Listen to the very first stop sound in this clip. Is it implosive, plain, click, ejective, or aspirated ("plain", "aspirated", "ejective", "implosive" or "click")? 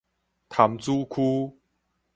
aspirated